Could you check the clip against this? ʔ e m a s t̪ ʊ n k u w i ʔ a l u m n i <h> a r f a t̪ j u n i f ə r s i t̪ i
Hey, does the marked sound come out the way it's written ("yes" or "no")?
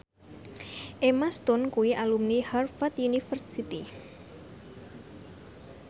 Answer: yes